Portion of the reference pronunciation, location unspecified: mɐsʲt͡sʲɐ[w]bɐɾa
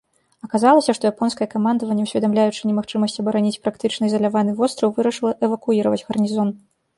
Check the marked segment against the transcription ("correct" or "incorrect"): incorrect